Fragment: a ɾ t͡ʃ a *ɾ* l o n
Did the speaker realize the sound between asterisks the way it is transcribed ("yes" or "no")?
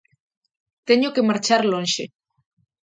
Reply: yes